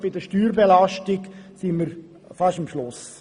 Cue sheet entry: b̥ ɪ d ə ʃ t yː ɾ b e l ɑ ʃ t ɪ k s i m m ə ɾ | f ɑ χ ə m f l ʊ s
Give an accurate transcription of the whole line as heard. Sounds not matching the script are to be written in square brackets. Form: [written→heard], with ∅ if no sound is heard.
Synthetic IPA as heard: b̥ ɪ d ə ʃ t yː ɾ b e l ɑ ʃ t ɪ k s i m m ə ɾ | f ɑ [χ→ʃ] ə m [f→ʃ] l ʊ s